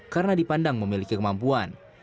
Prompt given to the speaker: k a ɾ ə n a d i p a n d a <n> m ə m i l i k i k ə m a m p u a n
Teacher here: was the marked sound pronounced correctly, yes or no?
no